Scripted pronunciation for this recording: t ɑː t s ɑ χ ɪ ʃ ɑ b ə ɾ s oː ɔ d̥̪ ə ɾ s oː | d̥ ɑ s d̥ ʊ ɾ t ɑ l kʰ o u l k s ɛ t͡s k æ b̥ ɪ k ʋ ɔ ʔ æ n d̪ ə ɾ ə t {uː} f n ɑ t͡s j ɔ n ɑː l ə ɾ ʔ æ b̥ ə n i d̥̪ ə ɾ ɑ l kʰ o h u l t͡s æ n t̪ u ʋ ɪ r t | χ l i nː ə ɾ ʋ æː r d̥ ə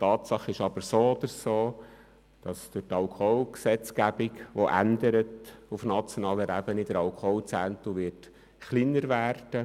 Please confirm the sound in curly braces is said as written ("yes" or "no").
no